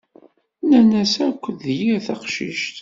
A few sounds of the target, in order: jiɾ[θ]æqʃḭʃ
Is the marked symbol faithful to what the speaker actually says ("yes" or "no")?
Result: yes